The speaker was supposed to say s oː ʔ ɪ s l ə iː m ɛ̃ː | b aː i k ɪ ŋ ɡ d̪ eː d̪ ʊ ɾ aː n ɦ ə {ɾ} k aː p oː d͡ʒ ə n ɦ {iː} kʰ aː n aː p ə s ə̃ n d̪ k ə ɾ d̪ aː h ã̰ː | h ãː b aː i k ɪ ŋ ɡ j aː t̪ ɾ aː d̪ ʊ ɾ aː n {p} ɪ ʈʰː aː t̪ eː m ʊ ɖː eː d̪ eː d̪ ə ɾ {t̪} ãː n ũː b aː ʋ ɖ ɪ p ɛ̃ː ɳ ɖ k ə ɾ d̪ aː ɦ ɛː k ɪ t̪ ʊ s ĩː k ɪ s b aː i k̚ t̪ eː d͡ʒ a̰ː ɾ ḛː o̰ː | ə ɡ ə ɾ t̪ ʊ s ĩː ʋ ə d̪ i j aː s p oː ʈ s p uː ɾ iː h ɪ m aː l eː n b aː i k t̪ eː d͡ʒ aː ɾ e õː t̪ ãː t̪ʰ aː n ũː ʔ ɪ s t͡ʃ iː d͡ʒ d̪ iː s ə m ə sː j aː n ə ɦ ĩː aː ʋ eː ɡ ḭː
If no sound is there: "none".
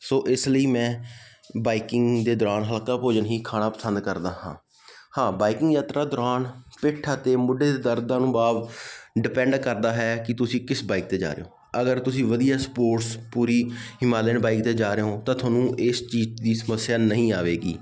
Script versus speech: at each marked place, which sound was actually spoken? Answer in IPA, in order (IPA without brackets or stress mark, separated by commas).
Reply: l, iː, p, d̪